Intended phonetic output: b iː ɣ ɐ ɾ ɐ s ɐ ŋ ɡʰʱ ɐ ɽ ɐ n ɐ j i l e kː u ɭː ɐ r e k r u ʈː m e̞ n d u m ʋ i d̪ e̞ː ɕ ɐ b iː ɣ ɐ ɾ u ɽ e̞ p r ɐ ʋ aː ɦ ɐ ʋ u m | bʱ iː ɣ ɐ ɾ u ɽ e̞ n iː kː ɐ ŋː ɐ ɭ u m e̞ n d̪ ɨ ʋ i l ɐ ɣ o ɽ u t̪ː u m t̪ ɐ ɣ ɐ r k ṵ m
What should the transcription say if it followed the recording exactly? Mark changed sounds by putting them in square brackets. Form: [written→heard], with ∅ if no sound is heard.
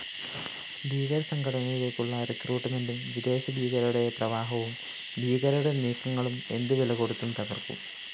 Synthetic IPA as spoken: b iː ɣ ɐ ɾ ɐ s ɐ ŋ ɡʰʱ ɐ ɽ ɐ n ɐ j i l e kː u ɭː ɐ r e k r [u→uː] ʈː m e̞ n d u m ʋ i d̪ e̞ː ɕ ɐ b iː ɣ ɐ ɾ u ɽ e̞ p r ɐ ʋ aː ɦ ɐ ʋ u m | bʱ iː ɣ ɐ ɾ u ɽ e̞ n iː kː ɐ ŋː ɐ ɭ u m e̞ n d̪ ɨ ʋ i l ɐ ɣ o ɽ u t̪ː u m t̪ ɐ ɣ ɐ r k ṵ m